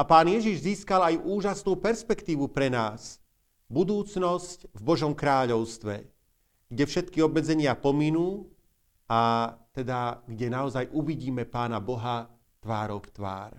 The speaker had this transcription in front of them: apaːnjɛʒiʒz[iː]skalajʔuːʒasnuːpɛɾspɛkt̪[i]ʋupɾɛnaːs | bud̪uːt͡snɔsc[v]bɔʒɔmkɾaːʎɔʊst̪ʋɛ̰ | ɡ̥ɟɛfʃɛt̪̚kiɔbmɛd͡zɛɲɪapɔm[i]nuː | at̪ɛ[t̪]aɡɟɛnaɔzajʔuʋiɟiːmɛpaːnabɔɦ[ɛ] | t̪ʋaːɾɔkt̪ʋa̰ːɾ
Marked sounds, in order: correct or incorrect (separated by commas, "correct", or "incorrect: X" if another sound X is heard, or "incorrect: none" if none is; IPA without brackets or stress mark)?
correct, incorrect: iː, correct, correct, incorrect: d̪, incorrect: a